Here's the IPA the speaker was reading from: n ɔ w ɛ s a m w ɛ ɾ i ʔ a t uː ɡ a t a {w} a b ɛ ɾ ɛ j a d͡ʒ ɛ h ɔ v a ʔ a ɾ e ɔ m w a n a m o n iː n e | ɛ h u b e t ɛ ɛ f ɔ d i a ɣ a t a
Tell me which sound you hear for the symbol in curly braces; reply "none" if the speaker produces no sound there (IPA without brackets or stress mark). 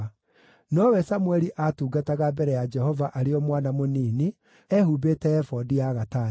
ɣ